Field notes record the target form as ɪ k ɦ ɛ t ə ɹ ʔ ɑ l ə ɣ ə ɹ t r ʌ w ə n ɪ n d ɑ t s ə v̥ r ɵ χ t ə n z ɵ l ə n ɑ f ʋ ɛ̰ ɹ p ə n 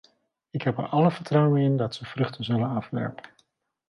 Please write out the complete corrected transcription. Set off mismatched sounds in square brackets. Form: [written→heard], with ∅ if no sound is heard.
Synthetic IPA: ɪ k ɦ ɛ [t→p] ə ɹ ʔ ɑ l ə [ɣ→v] ə ɹ t r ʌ w ə n ɪ n d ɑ t s ə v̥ r ɵ χ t ə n z ɵ l ə n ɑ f ʋ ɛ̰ ɹ p ə n

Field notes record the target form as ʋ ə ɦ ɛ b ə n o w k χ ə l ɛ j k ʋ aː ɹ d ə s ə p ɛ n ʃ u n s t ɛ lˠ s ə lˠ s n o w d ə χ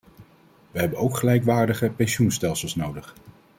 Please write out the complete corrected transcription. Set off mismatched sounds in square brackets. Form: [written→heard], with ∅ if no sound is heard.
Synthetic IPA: ʋ ə ɦ ɛ b ə n o w k χ ə l ɛ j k ʋ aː ɹ d ə [s→χ] ə p ɛ n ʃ u n s t ɛ lˠ s ə lˠ s n o w d ə χ

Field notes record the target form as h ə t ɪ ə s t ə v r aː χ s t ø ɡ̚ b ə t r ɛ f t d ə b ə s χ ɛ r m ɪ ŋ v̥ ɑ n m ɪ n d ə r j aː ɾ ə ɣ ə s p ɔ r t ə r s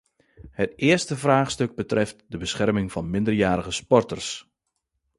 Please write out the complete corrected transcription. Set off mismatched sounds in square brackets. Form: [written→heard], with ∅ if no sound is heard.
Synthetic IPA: h ə t ɪ ə s t ə v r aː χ s t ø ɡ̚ b ə t r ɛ f t d ə b ə s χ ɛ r m ɪ ŋ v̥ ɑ n m ɪ n d ə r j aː ɾ ə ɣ ə s p ɔ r t ə r s

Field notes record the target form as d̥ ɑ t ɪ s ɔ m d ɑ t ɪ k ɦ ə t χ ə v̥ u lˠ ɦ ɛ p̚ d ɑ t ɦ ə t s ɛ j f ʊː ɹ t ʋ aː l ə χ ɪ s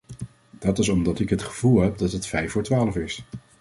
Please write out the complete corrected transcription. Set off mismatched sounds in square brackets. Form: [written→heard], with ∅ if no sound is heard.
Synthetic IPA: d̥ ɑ t ɪ s ɔ m d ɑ t ɪ k ɦ ə t χ ə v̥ u lˠ ɦ ɛ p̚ d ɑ t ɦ ə t [s→f] ɛ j f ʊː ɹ t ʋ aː l ə [χ→f] ɪ s

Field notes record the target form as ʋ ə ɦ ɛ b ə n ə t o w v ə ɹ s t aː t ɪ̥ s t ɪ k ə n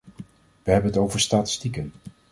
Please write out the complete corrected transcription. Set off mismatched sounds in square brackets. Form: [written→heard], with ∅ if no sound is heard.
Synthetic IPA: ʋ ə ɦ ɛ b ə n ə t o w v ə ɹ s t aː t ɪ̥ s t [ɪ→i] k ə n

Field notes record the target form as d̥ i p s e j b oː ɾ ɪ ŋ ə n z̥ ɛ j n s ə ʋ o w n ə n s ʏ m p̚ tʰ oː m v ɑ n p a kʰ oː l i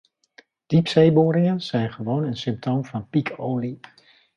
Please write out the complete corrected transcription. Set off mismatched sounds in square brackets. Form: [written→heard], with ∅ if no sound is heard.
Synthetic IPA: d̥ i p s e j b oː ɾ ɪ ŋ ə n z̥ ɛ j n [s→χ] ə ʋ o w n ə n s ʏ m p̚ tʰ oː m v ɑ n p [a→i] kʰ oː l i

